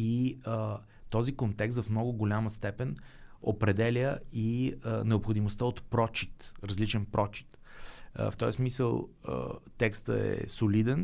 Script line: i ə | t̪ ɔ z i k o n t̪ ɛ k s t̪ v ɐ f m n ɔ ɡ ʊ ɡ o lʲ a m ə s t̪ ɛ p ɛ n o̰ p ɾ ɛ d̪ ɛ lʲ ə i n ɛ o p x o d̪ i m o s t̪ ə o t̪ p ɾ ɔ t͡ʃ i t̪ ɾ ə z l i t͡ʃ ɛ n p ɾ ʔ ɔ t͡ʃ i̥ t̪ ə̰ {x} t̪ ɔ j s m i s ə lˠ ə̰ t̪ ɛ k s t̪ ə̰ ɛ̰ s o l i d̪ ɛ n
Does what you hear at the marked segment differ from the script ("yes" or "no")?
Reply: yes